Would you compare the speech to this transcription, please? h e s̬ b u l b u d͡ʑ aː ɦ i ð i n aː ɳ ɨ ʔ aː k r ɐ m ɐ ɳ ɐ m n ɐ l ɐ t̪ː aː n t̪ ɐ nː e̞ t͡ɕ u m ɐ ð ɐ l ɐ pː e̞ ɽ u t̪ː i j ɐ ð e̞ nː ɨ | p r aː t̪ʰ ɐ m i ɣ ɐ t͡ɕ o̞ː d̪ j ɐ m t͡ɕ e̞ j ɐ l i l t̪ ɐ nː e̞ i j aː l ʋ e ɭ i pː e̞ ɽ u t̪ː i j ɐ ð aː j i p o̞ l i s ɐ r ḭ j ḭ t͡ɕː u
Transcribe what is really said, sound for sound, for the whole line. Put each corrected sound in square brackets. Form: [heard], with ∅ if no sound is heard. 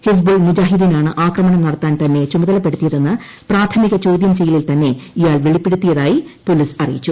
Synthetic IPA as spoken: h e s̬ b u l [m] u d͡ʑ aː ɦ i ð i n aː ɳ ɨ ʔ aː k r ɐ m ɐ ɳ ɐ m n ɐ [ɽ] ɐ t̪ː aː n t̪ ɐ nː e̞ t͡ɕ u m ɐ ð ɐ l ɐ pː e̞ ɽ u t̪ː i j ɐ ð e̞ nː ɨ | p r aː t̪ʰ ɐ m i ɣ ɐ t͡ɕ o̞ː d̪ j ɐ m t͡ɕ e̞ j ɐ l i l t̪ ɐ nː e̞ i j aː l ʋ e ɭ i pː e̞ ɽ u t̪ː i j ɐ ð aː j i p o̞ l i s ɐ r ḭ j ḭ t͡ɕː u